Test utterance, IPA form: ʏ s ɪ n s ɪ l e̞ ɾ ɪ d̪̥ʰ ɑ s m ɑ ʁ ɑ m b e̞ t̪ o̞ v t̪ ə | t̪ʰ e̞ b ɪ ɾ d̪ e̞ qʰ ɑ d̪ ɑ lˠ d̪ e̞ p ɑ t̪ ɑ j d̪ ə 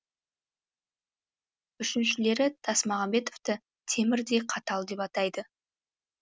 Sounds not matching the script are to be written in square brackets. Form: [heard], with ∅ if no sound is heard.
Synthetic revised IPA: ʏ [ʃ] ɪ n [ʃ] ɪ l e̞ ɾ ɪ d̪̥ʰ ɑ s m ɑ ʁ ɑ m b e̞ t̪ o̞ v t̪ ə | t̪ʰ e̞ [m] ɪ ɾ d̪ e̞ qʰ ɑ [t̪] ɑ lˠ d̪ e̞ p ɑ t̪ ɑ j d̪ ə